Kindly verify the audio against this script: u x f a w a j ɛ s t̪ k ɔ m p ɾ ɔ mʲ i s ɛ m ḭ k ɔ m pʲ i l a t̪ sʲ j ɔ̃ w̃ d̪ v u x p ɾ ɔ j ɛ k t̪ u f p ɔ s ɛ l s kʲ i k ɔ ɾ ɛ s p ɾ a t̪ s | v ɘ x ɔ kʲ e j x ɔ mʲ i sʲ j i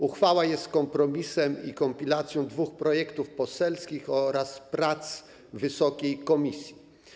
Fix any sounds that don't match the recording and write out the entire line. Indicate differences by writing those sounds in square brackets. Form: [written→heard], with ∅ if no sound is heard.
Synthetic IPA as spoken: u x f a w a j ɛ s t̪ k ɔ m p ɾ ɔ mʲ i s ɛ m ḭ k ɔ m pʲ i l a t̪ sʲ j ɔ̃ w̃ d̪ v u x p ɾ ɔ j ɛ k t̪ u f p ɔ s ɛ l s kʲ i [k→x] ɔ ɾ [ɛ→a] s p ɾ a t̪ s | v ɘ [x→s] ɔ kʲ e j [x→k] ɔ mʲ i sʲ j i